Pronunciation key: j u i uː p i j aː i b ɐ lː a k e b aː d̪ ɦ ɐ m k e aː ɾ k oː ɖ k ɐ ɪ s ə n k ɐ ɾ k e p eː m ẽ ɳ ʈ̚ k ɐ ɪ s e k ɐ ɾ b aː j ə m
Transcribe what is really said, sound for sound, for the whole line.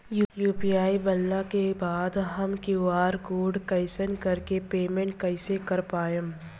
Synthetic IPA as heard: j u j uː p i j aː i b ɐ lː a k e b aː d̪ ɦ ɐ m k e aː ɾ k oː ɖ k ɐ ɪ s ə n k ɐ ɾ k e p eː m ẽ ɳ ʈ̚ k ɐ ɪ s e k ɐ ɾ p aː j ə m